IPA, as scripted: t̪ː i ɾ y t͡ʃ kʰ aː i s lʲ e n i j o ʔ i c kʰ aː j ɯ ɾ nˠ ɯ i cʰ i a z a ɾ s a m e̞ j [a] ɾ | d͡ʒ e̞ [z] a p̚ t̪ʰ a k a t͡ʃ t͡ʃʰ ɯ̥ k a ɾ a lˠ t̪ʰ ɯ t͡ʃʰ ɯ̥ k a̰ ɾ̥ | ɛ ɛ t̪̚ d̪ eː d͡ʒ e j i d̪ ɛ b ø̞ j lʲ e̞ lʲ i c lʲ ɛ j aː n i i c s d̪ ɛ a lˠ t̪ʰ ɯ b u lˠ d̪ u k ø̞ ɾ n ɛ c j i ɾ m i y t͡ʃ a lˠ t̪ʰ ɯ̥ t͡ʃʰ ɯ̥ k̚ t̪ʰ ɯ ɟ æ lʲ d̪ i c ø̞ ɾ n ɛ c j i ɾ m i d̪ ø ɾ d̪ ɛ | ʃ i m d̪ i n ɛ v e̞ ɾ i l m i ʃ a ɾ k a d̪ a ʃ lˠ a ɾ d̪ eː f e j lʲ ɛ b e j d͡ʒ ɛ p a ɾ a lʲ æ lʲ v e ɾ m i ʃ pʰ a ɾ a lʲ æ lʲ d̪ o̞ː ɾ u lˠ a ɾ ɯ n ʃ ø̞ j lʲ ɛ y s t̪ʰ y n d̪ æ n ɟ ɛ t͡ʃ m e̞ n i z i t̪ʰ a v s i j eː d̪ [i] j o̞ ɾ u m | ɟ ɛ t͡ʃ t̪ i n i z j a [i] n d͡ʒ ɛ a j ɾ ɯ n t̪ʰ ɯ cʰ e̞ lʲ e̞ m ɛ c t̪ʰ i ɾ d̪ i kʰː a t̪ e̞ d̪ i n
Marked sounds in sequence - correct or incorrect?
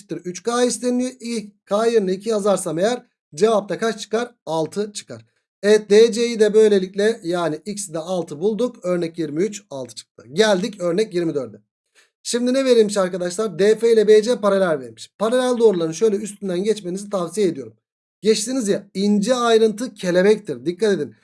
incorrect, incorrect, correct, correct

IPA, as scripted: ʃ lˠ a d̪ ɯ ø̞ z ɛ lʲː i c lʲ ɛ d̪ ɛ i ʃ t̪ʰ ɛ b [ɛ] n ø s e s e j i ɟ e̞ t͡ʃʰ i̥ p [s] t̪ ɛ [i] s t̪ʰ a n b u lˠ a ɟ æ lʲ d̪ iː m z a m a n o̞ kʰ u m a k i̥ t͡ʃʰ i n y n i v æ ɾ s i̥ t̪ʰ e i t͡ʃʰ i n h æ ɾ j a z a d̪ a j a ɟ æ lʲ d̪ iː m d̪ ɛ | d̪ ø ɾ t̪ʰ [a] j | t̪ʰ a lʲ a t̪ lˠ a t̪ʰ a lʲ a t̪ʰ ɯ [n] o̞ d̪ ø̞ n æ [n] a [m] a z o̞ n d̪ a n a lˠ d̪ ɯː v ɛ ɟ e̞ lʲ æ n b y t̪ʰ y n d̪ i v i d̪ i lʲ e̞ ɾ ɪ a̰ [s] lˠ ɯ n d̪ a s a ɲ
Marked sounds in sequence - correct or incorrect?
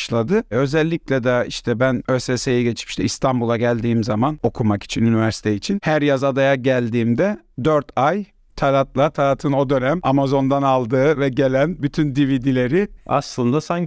incorrect, incorrect, correct, correct, correct, incorrect, correct, correct

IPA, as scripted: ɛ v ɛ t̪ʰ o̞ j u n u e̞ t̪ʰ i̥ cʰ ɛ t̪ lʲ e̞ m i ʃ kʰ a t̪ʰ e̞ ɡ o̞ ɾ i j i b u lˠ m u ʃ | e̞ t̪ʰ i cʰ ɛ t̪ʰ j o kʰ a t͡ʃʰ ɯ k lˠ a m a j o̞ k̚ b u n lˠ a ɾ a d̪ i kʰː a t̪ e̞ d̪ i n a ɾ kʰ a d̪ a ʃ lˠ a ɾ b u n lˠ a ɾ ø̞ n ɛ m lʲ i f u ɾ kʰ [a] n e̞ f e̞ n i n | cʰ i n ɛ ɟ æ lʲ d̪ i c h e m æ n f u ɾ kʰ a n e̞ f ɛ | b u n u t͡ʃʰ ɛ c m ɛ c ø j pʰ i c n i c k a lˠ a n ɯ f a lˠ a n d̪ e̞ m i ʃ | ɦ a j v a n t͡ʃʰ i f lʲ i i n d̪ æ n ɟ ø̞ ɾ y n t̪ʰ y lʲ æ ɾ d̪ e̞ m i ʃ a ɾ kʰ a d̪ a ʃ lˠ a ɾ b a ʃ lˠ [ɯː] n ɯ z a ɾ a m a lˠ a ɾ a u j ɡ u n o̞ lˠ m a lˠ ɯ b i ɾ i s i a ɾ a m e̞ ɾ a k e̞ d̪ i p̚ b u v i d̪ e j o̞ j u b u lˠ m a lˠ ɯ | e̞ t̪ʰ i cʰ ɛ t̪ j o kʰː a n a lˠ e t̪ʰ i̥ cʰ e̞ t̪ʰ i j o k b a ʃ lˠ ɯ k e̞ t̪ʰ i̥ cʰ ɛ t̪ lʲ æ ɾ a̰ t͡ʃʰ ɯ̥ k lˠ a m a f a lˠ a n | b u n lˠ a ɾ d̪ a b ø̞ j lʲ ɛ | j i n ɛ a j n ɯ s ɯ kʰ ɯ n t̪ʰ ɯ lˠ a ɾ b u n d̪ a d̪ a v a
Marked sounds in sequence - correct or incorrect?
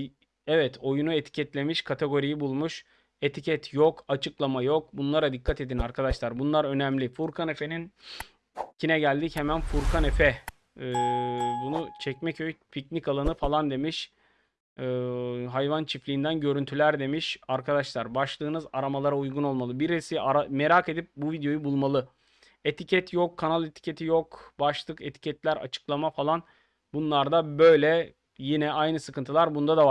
correct, correct

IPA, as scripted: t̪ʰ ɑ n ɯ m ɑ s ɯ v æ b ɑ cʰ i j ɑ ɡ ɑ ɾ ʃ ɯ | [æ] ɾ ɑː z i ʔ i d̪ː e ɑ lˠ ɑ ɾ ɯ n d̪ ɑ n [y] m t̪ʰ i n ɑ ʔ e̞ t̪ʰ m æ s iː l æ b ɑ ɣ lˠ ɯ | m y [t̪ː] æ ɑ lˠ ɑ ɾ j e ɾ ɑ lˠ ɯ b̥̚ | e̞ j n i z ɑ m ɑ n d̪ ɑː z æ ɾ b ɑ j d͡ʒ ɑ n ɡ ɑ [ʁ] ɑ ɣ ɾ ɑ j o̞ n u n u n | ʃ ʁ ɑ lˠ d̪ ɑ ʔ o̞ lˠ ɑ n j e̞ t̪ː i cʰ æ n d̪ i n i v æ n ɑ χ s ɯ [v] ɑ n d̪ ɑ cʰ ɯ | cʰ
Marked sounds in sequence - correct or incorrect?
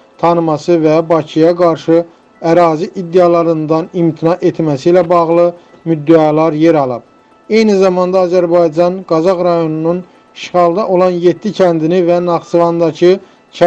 correct, incorrect, incorrect, incorrect, correct

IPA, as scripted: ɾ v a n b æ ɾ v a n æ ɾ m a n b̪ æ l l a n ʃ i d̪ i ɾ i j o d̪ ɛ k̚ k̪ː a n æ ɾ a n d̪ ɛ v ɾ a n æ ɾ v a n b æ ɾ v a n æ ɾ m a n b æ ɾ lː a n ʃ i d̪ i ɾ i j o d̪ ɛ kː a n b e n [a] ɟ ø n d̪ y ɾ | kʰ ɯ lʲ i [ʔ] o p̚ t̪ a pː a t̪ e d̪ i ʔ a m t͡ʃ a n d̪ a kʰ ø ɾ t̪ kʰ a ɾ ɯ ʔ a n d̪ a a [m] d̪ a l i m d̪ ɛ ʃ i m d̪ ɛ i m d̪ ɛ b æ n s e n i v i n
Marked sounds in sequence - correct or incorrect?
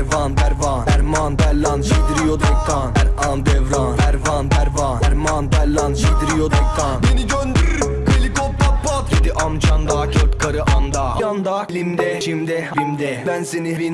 incorrect, incorrect, incorrect

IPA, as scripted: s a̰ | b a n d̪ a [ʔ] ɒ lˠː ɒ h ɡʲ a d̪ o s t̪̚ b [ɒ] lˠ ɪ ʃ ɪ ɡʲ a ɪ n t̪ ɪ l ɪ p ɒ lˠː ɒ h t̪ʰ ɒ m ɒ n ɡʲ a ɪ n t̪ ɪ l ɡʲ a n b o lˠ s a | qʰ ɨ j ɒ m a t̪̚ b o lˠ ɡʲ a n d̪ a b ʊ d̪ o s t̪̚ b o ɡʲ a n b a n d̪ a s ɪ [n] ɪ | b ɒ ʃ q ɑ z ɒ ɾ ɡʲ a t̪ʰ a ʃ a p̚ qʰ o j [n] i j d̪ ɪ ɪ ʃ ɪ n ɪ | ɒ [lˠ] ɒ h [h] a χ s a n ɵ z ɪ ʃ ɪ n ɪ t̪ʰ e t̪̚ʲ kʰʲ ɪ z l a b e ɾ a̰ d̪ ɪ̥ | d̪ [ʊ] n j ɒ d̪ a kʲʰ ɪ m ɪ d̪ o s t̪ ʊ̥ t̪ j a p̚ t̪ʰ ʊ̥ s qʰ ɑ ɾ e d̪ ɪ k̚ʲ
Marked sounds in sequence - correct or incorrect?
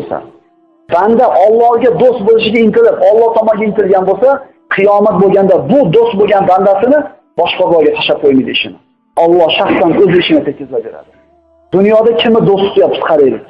correct, incorrect, correct, incorrect, incorrect, incorrect, correct

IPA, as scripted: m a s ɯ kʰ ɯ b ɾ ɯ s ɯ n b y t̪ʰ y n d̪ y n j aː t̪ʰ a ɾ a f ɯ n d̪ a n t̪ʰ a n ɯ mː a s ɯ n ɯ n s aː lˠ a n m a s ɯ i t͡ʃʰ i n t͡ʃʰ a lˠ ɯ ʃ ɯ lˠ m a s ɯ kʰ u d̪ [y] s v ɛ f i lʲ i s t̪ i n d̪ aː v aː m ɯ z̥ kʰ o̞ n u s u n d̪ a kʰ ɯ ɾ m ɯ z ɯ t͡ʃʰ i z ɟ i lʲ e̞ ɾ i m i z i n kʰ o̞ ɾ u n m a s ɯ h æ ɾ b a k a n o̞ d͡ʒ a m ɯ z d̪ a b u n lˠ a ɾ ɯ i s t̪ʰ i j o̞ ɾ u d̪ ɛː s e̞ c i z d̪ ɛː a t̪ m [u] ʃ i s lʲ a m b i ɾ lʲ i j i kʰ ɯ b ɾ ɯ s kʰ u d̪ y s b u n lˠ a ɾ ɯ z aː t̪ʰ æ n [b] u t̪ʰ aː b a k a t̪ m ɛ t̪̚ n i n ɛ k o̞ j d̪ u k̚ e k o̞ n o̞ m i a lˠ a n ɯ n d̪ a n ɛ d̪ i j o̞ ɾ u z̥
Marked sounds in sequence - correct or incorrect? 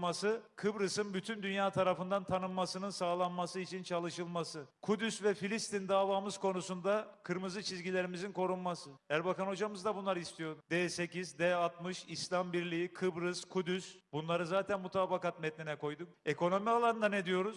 correct, incorrect, incorrect

